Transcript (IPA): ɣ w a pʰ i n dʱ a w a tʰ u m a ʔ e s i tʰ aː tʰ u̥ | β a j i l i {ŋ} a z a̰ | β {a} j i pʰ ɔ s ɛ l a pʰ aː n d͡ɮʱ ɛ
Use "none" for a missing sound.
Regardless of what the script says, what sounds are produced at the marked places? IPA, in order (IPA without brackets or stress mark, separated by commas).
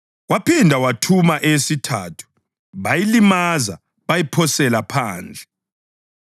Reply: m, a